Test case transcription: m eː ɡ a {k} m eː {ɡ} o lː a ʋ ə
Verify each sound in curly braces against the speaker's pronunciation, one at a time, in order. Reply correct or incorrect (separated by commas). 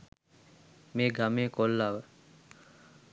incorrect, incorrect